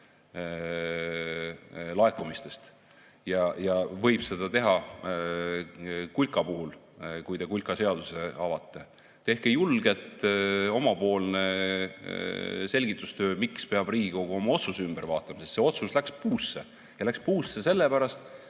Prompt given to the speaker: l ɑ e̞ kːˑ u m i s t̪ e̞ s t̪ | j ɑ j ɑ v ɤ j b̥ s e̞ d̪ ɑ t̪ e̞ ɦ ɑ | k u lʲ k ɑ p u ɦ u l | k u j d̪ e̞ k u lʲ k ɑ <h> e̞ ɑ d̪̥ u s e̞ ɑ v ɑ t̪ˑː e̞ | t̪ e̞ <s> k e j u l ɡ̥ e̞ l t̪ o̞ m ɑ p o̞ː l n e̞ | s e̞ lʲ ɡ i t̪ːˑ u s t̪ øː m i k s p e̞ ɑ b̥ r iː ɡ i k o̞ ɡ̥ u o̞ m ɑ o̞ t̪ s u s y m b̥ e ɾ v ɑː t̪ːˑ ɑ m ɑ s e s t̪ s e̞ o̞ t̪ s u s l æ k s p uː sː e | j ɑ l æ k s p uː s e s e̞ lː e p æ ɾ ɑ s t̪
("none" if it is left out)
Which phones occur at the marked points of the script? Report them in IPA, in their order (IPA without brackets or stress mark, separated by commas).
s, h